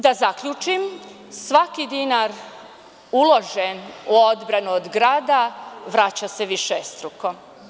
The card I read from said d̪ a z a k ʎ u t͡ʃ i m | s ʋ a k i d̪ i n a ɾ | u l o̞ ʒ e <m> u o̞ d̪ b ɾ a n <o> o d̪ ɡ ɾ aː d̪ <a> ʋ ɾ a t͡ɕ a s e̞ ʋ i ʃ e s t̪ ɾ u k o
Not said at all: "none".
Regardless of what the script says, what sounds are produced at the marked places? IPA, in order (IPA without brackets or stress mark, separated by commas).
n, u, a